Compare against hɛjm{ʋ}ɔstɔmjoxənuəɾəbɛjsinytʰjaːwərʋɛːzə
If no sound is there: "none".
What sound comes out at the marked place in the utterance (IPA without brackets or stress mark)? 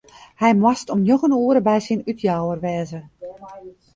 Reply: w